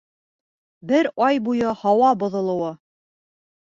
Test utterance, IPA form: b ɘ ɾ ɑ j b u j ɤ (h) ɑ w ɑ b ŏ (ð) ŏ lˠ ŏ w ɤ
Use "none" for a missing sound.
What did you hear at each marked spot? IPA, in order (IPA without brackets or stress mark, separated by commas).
h, ð